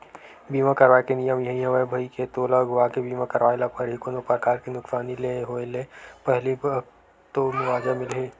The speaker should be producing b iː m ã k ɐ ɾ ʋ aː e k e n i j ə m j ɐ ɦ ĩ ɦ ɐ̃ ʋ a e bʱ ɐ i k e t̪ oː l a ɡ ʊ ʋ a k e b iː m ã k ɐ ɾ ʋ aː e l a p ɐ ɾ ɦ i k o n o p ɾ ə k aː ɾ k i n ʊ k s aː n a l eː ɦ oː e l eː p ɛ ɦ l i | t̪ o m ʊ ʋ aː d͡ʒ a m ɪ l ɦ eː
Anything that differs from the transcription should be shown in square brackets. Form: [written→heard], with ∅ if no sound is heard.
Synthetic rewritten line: b iː m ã k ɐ ɾ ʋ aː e k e n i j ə m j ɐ ɦ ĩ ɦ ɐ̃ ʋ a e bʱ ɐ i k e t̪ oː l a ɡ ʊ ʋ a k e b iː m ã k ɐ ɾ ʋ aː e l a p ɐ ɾ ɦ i k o n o p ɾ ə k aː ɾ k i n ʊ k s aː n [a→i] l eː ɦ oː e l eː p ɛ ɦ l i | t̪ o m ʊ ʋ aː d͡ʒ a m ɪ l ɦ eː